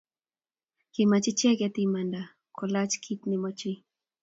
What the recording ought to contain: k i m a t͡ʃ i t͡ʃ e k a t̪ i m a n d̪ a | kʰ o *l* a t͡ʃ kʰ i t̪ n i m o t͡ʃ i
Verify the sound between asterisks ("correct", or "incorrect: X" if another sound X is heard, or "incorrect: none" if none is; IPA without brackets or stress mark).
correct